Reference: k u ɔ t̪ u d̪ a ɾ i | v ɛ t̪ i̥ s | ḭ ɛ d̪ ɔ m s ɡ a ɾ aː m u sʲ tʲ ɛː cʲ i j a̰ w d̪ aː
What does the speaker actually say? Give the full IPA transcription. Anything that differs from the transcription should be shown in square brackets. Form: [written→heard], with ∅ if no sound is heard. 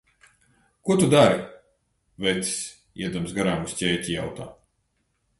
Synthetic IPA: k u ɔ t̪ u d̪ a ɾ i | v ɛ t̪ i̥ s | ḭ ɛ d̪ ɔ m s ɡ a ɾ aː m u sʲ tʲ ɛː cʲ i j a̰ w [d̪→t̪] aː